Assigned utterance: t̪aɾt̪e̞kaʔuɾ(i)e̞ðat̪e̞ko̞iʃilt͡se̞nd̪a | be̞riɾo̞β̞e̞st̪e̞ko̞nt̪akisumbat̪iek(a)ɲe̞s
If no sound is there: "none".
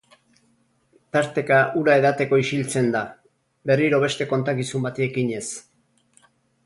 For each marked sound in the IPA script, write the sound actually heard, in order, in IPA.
a, i

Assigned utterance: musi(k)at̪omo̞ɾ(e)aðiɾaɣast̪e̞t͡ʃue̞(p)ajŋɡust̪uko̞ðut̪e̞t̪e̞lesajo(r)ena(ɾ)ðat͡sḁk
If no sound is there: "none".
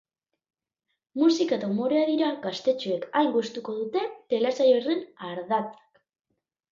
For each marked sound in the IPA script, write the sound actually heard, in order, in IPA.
k, e, k, r, ɾ

